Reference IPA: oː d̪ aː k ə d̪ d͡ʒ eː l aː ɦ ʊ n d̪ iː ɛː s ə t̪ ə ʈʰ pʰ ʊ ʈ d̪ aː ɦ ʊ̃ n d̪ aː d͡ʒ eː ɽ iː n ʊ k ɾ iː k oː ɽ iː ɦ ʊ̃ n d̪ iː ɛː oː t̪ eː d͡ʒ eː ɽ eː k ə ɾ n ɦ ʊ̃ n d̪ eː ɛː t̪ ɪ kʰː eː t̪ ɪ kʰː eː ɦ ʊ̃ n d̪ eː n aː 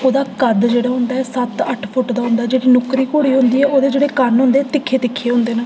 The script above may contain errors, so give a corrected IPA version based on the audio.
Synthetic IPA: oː d̪ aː k ə d̪ d͡ʒ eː ɽ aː ɦ ʊ n d̪ aː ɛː s ə t̪ ə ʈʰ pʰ ʊ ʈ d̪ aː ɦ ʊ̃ n d̪ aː d͡ʒ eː ɽ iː n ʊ k ɾ iː k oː ɽ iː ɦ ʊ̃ n d̪ iː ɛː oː d̪ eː d͡ʒ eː ɽ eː k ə ɾ n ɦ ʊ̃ n d̪ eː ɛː t̪ ɪ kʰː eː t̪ ɪ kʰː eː ɦ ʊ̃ n d̪ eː n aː